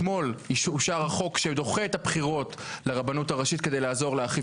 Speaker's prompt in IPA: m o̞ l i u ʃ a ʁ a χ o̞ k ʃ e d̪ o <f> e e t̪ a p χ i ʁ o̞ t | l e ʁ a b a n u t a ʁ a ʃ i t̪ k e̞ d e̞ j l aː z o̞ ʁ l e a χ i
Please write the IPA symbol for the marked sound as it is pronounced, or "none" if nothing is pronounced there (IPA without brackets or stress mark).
χ